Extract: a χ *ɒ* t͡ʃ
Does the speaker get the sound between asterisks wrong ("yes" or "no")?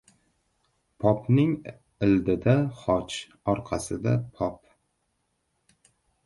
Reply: no